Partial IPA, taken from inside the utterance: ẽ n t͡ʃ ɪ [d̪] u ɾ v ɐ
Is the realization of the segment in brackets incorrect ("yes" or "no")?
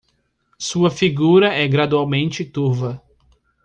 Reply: yes